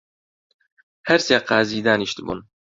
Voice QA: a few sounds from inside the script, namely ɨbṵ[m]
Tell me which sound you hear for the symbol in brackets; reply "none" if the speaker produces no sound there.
n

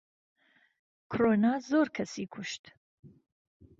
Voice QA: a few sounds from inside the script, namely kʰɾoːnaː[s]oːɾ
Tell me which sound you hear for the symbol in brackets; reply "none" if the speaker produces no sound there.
z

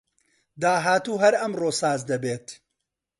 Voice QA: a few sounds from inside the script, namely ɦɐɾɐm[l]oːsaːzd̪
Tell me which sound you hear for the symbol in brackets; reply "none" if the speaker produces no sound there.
r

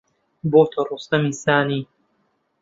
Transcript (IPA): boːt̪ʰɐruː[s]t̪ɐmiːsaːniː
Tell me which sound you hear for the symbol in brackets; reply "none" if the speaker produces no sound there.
s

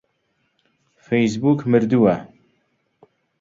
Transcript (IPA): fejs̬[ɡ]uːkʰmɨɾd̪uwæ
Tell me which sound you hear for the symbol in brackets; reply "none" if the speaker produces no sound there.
b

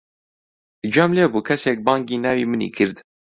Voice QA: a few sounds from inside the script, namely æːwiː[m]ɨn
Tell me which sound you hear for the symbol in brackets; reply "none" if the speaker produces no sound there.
m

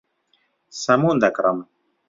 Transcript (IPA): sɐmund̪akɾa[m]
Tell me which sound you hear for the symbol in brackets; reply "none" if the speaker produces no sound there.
m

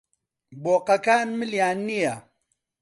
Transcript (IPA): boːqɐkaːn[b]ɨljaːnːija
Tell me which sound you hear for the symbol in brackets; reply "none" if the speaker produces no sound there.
m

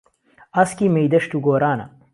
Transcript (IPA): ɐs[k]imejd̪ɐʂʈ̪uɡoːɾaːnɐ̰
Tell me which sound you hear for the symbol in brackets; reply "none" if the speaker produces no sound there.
k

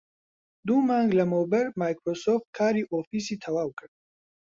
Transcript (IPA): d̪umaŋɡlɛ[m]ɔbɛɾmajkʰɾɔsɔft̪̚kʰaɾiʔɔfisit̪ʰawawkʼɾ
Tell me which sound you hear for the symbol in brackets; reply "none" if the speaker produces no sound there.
m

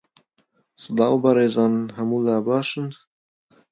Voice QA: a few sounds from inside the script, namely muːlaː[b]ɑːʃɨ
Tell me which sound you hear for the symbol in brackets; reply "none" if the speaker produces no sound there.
b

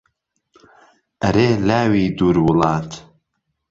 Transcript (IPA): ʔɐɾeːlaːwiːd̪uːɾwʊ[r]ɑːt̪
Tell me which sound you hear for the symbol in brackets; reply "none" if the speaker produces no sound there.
l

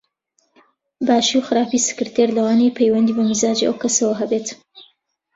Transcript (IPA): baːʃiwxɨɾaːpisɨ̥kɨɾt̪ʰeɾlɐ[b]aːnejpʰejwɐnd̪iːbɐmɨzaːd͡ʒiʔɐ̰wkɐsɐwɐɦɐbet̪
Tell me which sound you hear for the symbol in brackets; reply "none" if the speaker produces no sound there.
w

